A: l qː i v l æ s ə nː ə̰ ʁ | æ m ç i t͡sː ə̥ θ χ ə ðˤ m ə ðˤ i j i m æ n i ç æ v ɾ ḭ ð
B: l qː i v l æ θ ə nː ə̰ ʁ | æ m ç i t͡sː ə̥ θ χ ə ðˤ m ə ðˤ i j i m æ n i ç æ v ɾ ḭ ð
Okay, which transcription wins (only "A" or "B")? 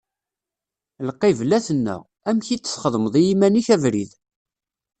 B